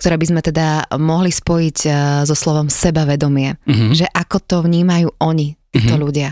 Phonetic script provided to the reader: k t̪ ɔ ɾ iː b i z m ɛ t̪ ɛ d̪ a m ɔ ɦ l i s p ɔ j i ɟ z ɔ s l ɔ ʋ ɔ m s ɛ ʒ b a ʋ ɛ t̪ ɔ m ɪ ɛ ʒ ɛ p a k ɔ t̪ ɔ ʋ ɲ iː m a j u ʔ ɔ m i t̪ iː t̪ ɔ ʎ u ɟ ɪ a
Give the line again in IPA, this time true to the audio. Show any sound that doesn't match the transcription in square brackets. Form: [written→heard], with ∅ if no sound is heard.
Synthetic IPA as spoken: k t̪ ɔ ɾ [iː→ɛː] b i z m ɛ t̪ ɛ d̪ a m ɔ ɦ l i s p ɔ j i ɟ z ɔ s l ɔ ʋ ɔ m s ɛ [ʒ→∅] b a ʋ ɛ [t̪→d̪] ɔ m ɪ ɛ ʒ ɛ [p→ʔ] a k ɔ t̪ ɔ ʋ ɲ iː m a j [u→uː] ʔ ɔ [m→ɲ] i t̪ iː t̪ ɔ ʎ u ɟ ɪ a